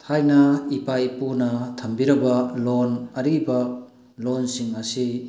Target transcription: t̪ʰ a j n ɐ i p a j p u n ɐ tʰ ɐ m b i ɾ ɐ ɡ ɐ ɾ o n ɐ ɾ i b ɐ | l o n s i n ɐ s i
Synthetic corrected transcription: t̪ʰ a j n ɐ i p a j p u n ɐ tʰ ɐ m b i ɾ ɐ b ɐ l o n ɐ ɾ i b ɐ | l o n s i ŋ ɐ s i